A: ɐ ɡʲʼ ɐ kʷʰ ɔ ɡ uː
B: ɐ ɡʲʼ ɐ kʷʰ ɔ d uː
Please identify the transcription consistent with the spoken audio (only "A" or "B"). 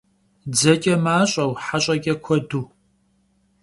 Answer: B